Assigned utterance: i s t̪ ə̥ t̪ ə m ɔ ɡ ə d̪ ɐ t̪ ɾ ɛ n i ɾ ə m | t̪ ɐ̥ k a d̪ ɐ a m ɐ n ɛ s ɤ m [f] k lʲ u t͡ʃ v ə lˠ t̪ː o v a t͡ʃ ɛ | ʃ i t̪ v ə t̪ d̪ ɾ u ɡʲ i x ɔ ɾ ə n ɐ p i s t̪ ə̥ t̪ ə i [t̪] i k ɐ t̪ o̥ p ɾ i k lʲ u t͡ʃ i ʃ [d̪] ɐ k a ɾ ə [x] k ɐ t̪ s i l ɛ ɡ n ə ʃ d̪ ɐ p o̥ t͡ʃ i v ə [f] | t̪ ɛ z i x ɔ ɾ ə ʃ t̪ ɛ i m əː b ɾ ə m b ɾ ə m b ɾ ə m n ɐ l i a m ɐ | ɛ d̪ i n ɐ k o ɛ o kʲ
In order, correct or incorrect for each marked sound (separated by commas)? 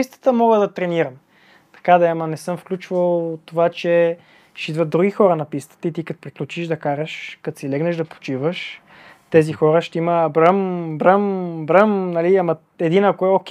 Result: correct, correct, correct, incorrect, incorrect